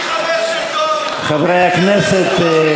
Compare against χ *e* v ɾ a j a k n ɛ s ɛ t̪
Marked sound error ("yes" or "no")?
yes